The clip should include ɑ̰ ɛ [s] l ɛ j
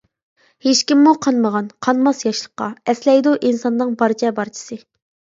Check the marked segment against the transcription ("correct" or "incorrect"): correct